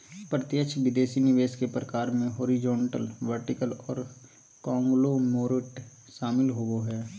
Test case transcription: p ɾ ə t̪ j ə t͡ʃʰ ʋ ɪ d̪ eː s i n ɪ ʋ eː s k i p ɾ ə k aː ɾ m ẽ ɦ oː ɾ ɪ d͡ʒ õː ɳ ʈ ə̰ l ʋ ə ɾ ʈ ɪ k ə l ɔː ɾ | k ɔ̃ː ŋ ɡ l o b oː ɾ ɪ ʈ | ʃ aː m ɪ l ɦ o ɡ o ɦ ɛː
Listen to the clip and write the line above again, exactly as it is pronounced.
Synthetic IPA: p ɾ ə t̪ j ə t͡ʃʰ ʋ ɪ d̪ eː s i n ɪ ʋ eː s k e p ɾ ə k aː ɾ m ẽ ɦ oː ɾ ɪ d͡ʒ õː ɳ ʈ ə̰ l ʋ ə ɾ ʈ ɪ k ə l ɔː ɾ | k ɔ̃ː ŋ ɡ l o m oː ɾ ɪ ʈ | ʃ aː m ɪ l ɦ o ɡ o ɦ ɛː